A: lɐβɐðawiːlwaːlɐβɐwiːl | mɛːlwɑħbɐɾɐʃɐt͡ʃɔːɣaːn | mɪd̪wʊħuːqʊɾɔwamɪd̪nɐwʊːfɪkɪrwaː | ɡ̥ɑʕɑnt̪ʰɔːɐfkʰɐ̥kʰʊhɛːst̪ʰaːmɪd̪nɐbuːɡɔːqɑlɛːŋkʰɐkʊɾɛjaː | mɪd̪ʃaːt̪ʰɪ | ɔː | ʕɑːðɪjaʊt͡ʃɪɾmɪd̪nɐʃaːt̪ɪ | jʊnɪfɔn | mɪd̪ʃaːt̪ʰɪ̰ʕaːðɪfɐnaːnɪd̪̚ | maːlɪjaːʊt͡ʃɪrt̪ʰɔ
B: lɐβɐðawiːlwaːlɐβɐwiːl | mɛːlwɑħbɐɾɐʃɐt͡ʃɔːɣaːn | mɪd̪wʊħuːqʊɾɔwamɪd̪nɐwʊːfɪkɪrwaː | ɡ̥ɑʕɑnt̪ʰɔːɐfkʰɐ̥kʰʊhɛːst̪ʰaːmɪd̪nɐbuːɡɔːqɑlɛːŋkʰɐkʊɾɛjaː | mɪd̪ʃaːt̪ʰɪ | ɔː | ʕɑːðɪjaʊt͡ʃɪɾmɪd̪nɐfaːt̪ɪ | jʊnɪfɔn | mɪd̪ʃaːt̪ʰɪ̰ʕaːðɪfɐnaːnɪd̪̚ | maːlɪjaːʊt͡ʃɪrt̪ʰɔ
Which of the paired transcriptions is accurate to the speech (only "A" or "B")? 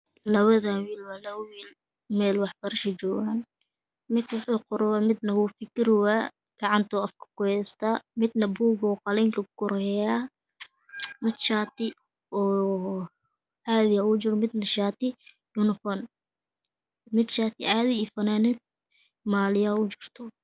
A